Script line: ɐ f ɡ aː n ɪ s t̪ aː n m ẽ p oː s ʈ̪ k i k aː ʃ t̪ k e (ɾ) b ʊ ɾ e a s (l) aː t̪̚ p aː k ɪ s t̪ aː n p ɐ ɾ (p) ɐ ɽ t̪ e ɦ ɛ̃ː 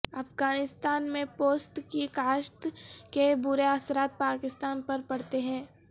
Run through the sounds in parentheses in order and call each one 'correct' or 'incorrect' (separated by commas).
incorrect, incorrect, correct